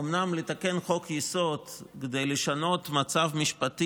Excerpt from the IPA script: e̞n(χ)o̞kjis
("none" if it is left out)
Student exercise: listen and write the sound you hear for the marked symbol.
χ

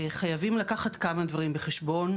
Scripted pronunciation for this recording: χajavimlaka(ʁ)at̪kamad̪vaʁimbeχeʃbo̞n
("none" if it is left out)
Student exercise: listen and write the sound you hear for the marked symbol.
χ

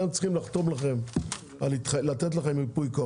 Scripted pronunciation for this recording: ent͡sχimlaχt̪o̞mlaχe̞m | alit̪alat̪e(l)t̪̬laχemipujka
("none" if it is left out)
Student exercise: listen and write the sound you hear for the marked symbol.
none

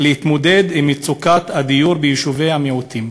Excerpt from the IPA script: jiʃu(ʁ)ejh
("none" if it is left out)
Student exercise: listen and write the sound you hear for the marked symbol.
v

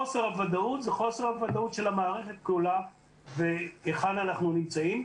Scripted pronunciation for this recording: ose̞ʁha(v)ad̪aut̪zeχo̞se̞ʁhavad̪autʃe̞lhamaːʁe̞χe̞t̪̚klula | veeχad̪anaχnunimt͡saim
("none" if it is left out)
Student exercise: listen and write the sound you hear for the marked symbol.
v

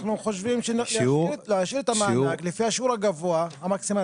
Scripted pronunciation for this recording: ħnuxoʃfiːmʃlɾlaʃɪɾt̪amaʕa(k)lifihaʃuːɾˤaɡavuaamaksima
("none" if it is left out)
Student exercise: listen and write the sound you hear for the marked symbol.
k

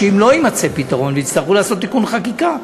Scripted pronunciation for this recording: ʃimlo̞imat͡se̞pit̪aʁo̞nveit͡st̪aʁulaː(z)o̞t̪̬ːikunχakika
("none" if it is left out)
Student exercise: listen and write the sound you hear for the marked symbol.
s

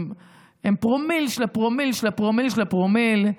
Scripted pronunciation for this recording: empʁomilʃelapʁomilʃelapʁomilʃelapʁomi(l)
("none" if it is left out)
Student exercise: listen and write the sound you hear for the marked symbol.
l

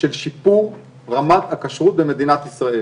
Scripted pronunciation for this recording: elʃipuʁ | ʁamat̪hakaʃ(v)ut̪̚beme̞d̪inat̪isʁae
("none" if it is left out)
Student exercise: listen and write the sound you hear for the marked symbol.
ʁ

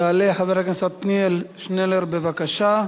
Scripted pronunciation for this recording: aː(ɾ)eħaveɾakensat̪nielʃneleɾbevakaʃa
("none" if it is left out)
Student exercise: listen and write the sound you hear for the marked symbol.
l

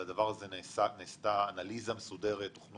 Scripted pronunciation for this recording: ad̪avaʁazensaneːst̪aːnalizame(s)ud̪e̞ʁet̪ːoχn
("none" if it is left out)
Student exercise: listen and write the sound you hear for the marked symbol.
s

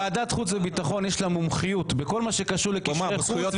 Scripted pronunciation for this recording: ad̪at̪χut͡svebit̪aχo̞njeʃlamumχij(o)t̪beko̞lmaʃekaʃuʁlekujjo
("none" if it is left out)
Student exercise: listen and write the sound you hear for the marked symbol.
u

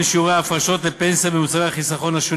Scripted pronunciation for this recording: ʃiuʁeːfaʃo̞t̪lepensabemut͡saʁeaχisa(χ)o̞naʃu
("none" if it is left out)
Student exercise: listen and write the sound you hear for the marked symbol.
χ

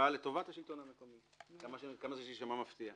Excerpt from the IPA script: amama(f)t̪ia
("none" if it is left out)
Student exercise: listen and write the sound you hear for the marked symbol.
f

